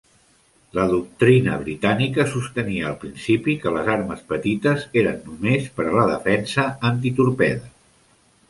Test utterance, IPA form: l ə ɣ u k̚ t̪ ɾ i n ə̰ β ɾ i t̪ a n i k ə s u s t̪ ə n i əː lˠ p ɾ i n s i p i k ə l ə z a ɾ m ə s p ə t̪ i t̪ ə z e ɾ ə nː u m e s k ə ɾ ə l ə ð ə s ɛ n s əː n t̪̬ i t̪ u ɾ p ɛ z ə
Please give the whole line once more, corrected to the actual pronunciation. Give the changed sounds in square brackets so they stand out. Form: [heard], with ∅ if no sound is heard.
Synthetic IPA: l ə [ð] u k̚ t̪ ɾ i n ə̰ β ɾ i t̪ a n i k ə s u s t̪ ə n i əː lˠ p ɾ i n s i p i k ə l ə z a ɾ m ə s p ə t̪ i t̪ ə z e ɾ ə nː u m e s [p] ə ɾ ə l ə ð ə [f] ɛ n s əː n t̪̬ i t̪ u ɾ p ɛ [ð] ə